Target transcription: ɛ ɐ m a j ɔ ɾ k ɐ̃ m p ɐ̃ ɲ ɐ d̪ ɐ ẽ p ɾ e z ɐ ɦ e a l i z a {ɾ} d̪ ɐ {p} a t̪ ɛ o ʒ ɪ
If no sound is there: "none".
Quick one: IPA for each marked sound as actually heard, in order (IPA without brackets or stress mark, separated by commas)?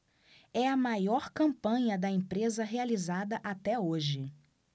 none, ʔ